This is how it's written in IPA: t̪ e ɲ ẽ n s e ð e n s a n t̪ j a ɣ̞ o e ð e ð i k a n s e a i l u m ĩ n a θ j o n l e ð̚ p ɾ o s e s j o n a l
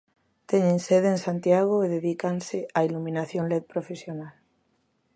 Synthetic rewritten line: t̪ e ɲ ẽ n s e ð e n s a n t̪ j a ɣ̞ o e ð e ð i k a n s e a i l u m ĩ n a θ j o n l e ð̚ p ɾ o f e s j o n a l